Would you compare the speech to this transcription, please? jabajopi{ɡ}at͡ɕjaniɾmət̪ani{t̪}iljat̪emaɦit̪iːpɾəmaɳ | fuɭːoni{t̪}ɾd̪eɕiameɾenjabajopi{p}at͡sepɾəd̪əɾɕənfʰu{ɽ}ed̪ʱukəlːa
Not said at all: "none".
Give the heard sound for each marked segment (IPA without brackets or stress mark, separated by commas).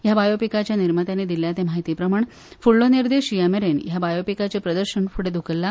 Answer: k, d̪, none, k, ɽ